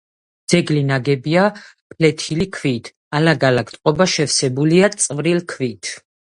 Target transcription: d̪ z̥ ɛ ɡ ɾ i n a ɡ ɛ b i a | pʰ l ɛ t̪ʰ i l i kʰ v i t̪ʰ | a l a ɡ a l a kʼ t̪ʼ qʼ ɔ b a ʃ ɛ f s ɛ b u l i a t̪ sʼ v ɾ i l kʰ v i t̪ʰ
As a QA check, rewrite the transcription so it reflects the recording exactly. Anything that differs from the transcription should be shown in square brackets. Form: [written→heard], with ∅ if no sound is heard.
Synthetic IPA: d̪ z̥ ɛ ɡ [ɾ→l] i n a ɡ ɛ b i a | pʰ l ɛ t̪ʰ i l i kʰ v i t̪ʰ | a l a ɡ a l a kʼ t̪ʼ qʼ ɔ b a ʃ ɛ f s ɛ b u l i a t̪ sʼ v ɾ i l kʰ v i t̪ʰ